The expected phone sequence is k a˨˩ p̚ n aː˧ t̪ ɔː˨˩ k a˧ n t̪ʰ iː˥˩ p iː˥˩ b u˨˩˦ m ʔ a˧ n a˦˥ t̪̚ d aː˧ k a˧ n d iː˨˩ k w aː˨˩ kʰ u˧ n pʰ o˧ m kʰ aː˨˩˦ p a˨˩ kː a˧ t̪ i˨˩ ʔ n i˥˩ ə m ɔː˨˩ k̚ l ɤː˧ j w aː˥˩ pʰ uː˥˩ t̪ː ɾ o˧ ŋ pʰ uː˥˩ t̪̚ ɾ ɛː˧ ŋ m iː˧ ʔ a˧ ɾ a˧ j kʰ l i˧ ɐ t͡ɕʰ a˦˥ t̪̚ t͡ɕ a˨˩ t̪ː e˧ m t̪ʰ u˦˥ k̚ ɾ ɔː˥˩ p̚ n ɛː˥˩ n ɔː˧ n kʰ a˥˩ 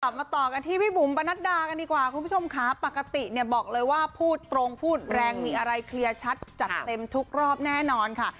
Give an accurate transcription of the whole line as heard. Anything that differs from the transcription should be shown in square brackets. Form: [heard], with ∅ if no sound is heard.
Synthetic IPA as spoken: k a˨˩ p̚ [m] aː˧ t̪ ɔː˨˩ k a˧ n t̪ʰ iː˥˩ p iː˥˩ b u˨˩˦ m [p] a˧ n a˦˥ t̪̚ d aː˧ k a˧ n d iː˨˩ k w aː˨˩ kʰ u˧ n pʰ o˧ m kʰ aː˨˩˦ p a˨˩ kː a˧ t̪ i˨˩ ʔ n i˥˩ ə [b] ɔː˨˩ k̚ l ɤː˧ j w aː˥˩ pʰ uː˥˩ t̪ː ɾ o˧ ŋ pʰ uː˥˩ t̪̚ ɾ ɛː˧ ŋ m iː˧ ʔ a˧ ɾ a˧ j kʰ l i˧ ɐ t͡ɕʰ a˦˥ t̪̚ t͡ɕ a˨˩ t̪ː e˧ m t̪ʰ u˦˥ k̚ ɾ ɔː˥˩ p̚ n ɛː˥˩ n ɔː˧ n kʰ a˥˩